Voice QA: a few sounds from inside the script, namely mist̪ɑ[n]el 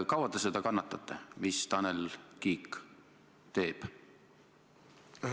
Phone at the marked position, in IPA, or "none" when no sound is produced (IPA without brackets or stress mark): n